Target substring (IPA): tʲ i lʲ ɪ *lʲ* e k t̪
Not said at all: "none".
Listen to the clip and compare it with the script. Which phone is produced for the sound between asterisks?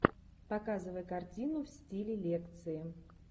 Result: lʲ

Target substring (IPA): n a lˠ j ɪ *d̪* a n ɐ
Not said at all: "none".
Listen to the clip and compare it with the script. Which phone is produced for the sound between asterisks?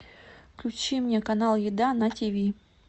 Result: d̪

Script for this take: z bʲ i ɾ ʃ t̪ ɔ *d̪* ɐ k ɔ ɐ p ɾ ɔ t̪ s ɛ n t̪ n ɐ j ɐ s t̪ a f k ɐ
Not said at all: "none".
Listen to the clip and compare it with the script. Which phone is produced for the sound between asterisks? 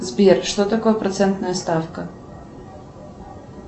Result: t̪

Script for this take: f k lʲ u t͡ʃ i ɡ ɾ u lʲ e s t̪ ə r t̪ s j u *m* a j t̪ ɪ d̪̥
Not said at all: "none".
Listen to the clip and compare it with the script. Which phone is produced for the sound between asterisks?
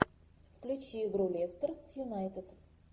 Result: n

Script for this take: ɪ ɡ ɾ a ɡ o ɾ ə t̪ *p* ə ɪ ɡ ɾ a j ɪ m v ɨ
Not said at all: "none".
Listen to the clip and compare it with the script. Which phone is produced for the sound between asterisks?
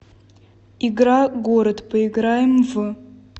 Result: p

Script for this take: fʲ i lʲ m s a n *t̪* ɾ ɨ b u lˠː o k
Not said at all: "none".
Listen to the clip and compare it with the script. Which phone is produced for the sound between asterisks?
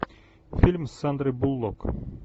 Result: d̪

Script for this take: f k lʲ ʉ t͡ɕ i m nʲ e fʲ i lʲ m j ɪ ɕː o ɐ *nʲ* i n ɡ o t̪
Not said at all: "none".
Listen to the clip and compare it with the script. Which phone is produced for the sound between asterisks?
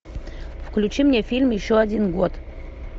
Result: dʲ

